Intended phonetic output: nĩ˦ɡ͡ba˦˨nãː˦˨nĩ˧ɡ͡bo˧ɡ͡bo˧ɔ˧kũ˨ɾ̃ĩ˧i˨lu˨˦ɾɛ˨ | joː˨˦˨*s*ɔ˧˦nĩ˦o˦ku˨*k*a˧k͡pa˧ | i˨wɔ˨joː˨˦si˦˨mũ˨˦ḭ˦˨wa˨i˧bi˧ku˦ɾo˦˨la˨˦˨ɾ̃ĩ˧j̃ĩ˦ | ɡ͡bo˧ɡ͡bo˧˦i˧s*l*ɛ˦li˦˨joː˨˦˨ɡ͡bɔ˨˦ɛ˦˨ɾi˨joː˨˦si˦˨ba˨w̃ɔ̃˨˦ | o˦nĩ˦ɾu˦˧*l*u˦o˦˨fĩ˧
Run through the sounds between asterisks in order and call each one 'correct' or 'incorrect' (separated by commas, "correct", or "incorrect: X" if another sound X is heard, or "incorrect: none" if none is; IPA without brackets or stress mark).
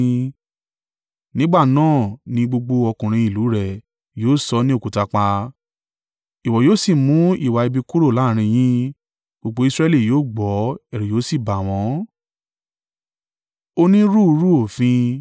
correct, incorrect: t, incorrect: ɾ, incorrect: ɾ